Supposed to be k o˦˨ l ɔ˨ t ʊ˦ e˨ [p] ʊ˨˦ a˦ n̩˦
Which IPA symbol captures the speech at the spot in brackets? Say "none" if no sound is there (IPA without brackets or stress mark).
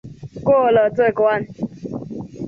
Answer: k